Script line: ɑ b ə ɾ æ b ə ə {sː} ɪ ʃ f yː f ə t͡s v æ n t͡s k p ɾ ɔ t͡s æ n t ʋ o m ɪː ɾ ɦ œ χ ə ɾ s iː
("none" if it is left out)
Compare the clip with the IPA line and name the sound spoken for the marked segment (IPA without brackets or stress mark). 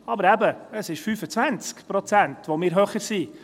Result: s